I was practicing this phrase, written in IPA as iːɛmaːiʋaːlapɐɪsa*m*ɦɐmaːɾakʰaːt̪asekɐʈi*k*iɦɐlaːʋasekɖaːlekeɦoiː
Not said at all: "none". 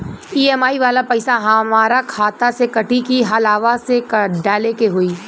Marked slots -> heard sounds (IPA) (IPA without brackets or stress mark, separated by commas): none, k